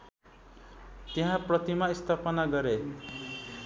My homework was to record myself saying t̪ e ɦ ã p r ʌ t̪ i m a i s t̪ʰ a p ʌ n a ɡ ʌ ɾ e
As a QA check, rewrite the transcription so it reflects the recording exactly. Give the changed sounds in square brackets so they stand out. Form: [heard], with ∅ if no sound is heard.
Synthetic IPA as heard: t̪ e ɦ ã p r ʌ t̪ i m a i s t̪ʰ a p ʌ n a ɡ ʌ ɾ e